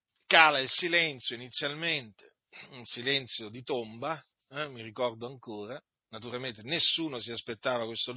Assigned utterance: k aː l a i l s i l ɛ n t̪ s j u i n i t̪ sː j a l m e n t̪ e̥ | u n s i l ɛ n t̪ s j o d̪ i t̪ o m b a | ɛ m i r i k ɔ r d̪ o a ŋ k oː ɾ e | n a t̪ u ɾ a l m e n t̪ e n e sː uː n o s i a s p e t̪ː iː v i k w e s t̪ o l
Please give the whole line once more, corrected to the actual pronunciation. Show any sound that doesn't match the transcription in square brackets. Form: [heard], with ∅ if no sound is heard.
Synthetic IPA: k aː l a i l s i l ɛ n t̪ s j [o] i n i t̪ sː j a l m e n t̪ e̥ | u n s i l ɛ n t̪ s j o d̪ i t̪ o m b a | ɛ m i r i k ɔ r d̪ o a ŋ k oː ɾ [a] | n a t̪ u ɾ a l m e n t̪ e n e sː uː n o s i a s p e t̪ː [aː] v [a] k w e s t̪ o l